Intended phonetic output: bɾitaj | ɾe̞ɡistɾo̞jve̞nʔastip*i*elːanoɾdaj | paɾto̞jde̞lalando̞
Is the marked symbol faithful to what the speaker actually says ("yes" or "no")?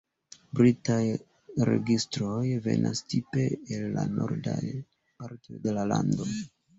no